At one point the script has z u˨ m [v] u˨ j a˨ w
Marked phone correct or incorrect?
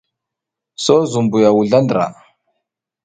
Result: incorrect